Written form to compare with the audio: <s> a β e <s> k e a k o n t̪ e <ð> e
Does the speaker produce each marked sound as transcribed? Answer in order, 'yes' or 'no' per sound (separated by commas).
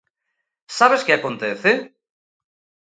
yes, yes, no